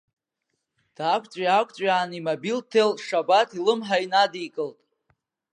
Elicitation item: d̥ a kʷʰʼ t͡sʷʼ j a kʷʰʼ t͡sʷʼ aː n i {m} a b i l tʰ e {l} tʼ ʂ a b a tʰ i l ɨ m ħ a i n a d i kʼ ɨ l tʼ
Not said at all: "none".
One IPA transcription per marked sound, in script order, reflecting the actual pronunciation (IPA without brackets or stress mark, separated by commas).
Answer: m, l